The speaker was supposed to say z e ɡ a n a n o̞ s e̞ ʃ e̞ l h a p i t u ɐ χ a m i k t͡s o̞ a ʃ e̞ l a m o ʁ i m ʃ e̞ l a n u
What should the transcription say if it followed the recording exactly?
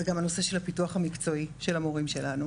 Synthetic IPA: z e ɡ a m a n o̞ s e̞ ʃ e̞ l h a p i t u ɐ χ a m i k t͡s o̞ i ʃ e̞ l a m o ʁ i m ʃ e̞ l a n u